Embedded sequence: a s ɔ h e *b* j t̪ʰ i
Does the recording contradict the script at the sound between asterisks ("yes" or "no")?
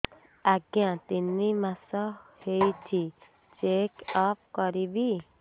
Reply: yes